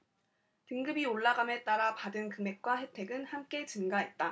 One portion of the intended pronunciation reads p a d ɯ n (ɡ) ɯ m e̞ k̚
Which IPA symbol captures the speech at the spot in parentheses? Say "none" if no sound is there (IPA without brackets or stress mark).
k